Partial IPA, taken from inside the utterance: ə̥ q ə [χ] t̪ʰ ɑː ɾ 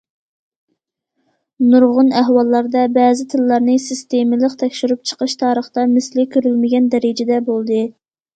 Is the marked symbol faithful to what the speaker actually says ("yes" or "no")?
no